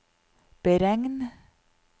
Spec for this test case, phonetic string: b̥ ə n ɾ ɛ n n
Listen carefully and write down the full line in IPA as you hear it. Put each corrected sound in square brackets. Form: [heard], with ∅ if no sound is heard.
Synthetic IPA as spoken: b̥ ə [∅] ɾ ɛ [ŋ] n